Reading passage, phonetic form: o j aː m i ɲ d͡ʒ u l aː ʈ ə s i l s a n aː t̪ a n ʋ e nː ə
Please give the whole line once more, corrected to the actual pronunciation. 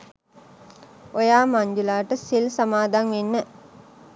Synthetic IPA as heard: o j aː m a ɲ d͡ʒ u l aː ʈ ə s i l s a m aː d̪ a ŋ ʋ e nː ə